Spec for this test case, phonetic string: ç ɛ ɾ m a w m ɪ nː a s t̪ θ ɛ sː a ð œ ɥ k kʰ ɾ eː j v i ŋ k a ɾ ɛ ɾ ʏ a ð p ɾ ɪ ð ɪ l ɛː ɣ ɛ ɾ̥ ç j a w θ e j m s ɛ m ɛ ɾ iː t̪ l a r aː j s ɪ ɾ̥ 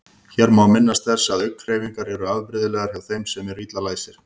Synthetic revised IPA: ç ɛ ɾ m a w m ɪ nː a s t̪ θ ɛ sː a ð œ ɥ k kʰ ɾ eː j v i ŋ k a ɾ ɛ ɾ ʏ a ð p ɾ ɪ ð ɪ l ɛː ɣ a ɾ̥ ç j a w θ e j m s ɛ m ɛ ɾ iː t̪ l a l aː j s ɪ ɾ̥